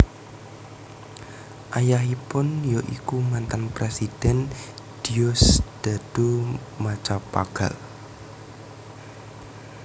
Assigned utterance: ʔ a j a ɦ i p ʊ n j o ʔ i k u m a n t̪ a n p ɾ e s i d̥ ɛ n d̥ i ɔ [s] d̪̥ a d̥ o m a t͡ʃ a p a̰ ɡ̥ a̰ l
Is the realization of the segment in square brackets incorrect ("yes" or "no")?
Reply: no